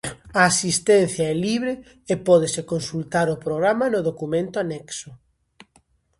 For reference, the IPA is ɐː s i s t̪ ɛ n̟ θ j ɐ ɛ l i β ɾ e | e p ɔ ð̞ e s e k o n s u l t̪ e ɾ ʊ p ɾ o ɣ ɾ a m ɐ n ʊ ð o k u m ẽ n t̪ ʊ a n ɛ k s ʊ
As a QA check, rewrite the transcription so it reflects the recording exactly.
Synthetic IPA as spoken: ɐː s i s t̪ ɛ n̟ θ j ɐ ɛ l i β ɾ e | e p ɔ ð̞ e s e k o n s u l t̪ a ɾ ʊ p ɾ o ɣ ɾ a m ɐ n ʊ ð o k u m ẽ n t̪ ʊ a n ɛ k s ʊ